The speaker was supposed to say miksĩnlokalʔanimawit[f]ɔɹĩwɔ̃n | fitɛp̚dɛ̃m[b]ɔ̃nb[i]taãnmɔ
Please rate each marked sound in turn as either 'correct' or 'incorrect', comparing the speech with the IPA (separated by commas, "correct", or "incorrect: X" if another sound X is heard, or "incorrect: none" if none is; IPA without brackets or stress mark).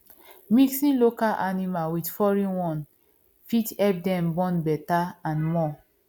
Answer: correct, correct, incorrect: ɛ